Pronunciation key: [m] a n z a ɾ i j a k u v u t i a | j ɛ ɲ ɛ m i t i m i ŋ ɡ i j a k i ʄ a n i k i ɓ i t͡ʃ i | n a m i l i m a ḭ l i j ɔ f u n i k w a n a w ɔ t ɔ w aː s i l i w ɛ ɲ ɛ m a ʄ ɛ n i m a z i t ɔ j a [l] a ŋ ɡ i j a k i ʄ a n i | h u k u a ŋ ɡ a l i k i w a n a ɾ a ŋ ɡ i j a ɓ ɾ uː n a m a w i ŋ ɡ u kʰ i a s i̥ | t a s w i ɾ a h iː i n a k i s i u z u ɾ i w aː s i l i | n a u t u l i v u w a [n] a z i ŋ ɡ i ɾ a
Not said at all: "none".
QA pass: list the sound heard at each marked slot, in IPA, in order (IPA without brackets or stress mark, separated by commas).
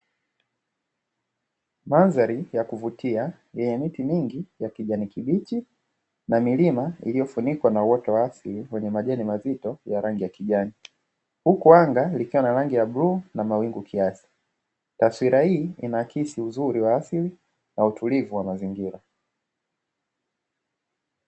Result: m, ɾ, m